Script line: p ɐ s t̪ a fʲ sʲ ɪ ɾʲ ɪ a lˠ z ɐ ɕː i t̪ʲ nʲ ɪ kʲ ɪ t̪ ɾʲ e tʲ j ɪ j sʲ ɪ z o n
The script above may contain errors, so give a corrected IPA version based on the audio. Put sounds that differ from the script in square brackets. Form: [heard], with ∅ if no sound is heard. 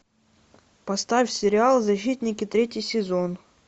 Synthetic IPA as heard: p ɐ s t̪ a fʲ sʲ ɪ ɾʲ ɪ a lˠ z ɐ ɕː i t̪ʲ nʲ ɪ kʲ ɪ t̪ ɾʲ e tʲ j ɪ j sʲ ɪ z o n